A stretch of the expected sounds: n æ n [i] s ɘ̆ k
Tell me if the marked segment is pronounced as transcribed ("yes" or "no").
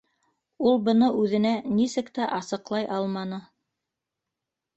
yes